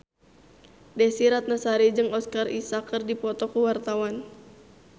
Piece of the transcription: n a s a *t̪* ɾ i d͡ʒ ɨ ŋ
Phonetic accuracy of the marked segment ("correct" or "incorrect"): incorrect